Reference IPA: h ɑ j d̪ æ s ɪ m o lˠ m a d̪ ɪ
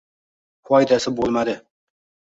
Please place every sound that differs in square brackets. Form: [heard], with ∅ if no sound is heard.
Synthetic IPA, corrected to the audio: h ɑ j d̪ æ s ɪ [b] o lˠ m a d̪ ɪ